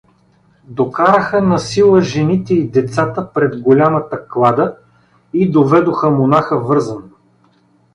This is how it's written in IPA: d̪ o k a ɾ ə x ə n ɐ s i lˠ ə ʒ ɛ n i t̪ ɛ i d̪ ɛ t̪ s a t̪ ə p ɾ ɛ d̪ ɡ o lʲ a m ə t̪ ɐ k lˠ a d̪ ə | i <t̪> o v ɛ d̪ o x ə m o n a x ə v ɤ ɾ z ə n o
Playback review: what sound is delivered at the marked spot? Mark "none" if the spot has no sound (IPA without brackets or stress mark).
d̪